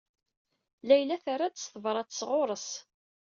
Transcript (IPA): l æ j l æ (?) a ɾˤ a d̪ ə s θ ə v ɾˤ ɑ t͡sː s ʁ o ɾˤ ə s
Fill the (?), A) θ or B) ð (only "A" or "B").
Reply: A